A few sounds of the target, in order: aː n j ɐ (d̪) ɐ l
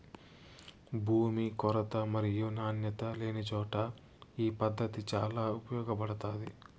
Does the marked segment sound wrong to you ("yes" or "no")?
yes